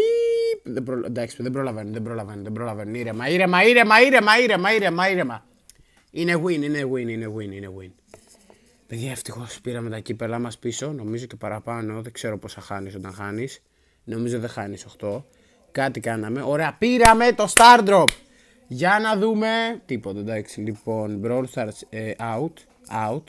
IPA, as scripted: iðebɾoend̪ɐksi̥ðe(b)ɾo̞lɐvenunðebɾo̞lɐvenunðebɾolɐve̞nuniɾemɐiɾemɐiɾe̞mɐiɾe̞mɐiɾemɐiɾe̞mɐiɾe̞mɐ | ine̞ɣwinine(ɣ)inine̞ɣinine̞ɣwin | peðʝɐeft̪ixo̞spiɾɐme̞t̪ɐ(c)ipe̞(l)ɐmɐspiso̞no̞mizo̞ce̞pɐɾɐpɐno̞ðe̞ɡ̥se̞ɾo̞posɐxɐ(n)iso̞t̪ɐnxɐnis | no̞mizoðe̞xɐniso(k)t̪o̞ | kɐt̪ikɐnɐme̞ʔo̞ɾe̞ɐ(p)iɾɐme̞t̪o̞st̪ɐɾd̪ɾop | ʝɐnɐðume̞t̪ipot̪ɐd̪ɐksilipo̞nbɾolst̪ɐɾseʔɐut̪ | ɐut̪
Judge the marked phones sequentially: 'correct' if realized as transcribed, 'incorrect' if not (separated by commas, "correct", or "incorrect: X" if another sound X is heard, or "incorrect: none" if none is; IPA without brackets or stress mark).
correct, correct, correct, correct, correct, incorrect: x, correct